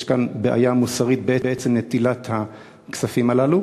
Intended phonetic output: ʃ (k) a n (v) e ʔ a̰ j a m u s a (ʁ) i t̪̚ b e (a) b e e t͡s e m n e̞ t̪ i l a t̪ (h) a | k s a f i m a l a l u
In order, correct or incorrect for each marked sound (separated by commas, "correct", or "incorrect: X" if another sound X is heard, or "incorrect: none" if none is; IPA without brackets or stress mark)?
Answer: correct, incorrect: b, correct, incorrect: e, correct